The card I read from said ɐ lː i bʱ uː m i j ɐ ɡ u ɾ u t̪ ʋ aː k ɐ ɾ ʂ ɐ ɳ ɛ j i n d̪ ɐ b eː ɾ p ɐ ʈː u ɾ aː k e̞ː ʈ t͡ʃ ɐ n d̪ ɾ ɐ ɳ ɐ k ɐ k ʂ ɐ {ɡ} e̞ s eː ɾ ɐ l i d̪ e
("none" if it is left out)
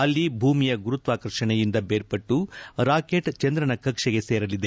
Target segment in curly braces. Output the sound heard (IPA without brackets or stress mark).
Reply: ɡ